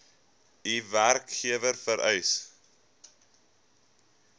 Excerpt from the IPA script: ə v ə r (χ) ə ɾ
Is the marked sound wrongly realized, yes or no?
yes